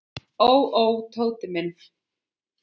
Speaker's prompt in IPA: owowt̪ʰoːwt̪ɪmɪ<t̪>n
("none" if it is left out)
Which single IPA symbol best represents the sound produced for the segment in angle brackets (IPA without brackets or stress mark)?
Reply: none